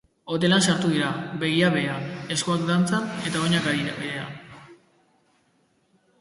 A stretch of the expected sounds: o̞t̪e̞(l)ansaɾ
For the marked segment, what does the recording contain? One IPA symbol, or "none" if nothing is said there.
l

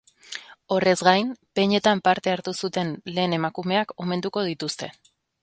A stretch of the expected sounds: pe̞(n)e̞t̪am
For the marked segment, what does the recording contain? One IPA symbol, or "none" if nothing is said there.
ɲ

